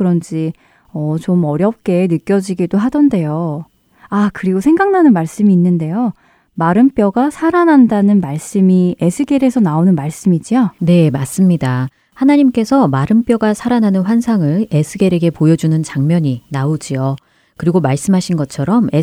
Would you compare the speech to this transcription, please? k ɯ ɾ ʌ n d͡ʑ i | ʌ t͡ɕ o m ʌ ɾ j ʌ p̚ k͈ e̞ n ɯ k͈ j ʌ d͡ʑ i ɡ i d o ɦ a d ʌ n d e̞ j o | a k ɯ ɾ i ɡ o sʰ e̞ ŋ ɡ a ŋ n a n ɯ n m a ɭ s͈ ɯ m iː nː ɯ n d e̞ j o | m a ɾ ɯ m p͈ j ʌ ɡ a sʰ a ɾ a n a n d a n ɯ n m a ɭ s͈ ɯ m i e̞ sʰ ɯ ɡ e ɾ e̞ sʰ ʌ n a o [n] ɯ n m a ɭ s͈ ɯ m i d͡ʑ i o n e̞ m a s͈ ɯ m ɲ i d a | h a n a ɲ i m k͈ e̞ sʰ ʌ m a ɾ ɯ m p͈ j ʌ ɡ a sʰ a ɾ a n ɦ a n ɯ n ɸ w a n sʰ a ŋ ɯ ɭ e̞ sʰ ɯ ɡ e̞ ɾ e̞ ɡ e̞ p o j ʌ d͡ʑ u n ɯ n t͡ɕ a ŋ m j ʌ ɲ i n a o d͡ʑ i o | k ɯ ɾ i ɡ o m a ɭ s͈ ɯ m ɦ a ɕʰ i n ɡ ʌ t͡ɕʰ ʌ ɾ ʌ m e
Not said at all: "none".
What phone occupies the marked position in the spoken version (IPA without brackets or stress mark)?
n